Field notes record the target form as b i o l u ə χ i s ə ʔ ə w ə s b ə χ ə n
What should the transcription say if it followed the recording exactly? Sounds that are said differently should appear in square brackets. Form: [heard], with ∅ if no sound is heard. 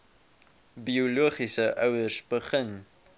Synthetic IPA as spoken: b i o l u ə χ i s ə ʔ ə w ə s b ə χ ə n